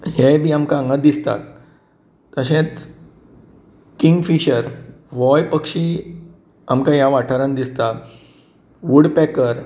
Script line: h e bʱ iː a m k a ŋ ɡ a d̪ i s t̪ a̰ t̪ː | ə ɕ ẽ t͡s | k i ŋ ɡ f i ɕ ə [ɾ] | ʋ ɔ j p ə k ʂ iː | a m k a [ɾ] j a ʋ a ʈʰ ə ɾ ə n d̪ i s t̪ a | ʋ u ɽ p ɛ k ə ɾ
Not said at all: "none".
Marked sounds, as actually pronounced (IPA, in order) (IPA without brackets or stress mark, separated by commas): ɾ, none